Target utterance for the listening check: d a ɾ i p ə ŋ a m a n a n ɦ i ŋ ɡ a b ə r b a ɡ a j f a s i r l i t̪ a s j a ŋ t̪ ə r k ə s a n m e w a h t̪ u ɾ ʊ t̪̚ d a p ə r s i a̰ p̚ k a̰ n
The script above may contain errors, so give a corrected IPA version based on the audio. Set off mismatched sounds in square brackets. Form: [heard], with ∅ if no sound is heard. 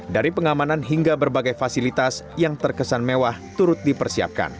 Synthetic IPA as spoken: d a ɾ i p ə ŋ a m a n a n ɦ i ŋ ɡ a b ə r b a ɡ a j f a s i [∅] l i t̪ a s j a ŋ t̪ ə r k ə s a n m e w a h t̪ u ɾ ʊ t̪̚ d [i] p ə r s i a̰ p̚ k a̰ n